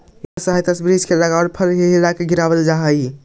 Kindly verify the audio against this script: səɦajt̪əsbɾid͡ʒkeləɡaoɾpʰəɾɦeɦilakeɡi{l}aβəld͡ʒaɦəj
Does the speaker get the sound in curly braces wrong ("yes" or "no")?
yes